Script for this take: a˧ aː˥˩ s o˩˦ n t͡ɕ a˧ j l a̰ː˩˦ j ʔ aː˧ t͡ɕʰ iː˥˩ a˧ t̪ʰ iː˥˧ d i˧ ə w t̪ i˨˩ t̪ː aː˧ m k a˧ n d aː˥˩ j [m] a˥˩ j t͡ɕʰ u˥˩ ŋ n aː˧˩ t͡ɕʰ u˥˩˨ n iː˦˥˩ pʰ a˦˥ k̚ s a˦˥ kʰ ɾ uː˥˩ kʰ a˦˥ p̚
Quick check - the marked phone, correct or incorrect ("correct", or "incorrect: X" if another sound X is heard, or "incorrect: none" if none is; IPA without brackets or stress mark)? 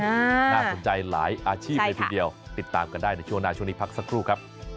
incorrect: n